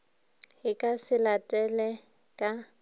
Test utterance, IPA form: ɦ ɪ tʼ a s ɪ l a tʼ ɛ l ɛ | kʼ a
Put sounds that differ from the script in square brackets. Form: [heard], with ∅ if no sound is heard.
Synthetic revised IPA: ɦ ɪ [kʼ] a s ɪ l a tʼ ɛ l ɛ | kʼ a